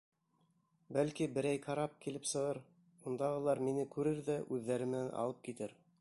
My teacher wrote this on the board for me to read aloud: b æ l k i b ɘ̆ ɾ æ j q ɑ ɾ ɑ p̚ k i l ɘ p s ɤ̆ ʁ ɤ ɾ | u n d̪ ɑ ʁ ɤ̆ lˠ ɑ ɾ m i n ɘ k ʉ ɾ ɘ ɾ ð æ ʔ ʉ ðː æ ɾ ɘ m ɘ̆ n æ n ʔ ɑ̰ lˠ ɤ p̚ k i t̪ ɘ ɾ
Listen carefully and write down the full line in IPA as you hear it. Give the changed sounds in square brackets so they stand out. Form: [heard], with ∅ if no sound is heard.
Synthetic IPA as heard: b æ l k i b ɘ̆ ɾ æ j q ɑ ɾ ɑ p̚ k i l ɘ p s ɤ̆ ʁ ɤ ɾ | u n d̪ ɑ ʁ ɤ̆ lˠ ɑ ɾ m i n ɘ k ʉ ɾ ɘ ɾ ð æ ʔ ʉ ðː æ ɾ ɘ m ɘ̆ n æ n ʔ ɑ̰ lˠ ɤ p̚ k i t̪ ɘ ɾ